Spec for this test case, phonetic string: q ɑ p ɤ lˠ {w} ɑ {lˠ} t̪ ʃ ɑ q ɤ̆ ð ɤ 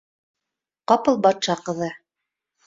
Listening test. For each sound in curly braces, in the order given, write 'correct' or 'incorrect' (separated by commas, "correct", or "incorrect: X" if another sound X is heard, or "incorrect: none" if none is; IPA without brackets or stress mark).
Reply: incorrect: b, incorrect: none